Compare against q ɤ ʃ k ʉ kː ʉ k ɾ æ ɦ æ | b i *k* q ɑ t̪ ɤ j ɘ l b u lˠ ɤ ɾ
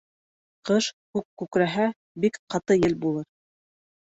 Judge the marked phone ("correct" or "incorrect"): correct